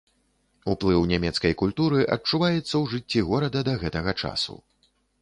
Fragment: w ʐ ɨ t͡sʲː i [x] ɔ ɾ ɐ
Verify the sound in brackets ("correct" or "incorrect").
incorrect